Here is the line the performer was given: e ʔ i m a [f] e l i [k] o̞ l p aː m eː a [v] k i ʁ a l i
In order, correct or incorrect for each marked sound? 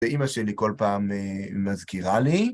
incorrect: ʃ, correct, incorrect: z

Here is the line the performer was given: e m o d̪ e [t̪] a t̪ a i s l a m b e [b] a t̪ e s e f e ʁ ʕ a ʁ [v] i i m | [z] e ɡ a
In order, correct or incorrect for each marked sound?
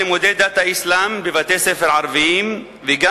incorrect: d̪, incorrect: v, correct, incorrect: v

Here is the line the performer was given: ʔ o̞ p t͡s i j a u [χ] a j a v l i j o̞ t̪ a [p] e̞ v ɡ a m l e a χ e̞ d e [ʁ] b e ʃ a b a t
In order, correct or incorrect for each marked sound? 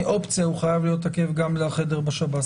correct, incorrect: k, correct

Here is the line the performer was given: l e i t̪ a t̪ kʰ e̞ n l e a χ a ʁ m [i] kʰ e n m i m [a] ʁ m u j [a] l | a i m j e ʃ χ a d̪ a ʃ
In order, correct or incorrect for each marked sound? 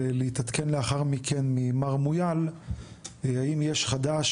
correct, correct, correct

